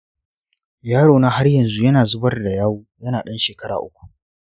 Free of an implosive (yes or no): no